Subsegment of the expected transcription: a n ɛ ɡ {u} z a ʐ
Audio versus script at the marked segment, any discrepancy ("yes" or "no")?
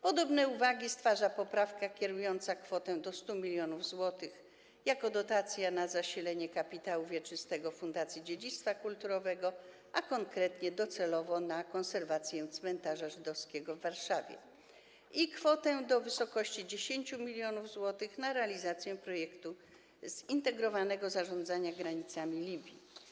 yes